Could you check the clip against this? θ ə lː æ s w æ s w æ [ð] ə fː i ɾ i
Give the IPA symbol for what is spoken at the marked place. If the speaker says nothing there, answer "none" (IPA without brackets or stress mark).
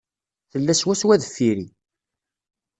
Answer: ð